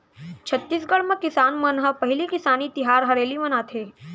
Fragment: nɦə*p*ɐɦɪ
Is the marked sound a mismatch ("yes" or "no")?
no